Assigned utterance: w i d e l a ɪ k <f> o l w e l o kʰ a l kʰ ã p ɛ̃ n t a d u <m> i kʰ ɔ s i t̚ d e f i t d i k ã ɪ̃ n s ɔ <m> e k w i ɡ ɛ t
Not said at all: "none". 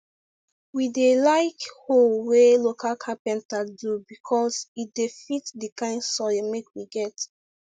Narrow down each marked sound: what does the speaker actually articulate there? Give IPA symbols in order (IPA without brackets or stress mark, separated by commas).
h, b, m